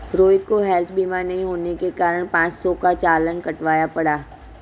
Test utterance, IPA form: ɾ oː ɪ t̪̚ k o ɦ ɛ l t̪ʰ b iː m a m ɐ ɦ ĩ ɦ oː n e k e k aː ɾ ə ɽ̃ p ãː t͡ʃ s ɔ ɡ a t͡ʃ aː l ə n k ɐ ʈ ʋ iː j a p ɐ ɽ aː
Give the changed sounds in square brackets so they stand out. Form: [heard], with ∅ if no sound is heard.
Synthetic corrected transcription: ɾ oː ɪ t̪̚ k o ɦ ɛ l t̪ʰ b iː m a [n] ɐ ɦ ĩ ɦ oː n e k e k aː ɾ ə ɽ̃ p ãː t͡ʃ s ɔ [k] a t͡ʃ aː l ə n k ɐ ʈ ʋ [aː] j a p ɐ ɽ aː